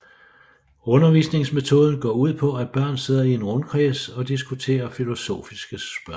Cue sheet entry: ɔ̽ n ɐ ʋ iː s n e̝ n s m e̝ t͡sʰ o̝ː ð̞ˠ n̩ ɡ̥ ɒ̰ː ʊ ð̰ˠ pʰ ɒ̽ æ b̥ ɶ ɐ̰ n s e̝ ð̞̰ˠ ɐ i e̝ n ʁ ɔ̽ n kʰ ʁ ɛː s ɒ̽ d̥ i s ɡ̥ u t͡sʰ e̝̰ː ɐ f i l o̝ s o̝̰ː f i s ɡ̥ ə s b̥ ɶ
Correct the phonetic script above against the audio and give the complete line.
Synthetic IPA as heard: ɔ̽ n ɐ ʋ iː s n e̝ ŋ s m e̝ t͡sʰ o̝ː ð̞ˠ n̩ ɡ̥ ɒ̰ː u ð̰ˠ pʰ ɒ̽ æ b̥ ɶ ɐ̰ n s e̝ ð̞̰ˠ ɐ i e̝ n ʁ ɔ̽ n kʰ ʁ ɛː s ɒ̽ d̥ i s ɡ̥ u t͡sʰ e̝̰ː ɐ f i l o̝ s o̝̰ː f i s ɡ̥ ə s b̥ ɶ